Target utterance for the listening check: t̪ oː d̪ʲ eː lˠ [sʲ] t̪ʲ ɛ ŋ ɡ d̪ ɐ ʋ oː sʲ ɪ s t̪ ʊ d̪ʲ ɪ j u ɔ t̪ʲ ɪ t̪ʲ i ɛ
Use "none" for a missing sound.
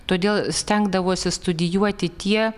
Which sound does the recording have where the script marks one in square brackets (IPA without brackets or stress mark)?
sʲ